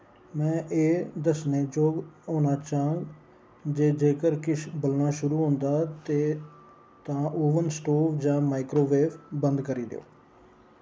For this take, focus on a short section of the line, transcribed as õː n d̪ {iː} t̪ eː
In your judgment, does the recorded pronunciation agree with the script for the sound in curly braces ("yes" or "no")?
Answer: no